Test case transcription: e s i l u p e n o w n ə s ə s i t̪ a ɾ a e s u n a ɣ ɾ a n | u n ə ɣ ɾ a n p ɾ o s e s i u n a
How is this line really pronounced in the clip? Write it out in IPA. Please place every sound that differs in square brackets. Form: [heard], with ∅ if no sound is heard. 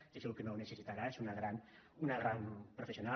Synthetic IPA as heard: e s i l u [k] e n o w n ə s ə s i t̪ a ɾ a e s u n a ɣ ɾ a n | u n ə ɣ ɾ a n p ɾ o [f] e s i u n a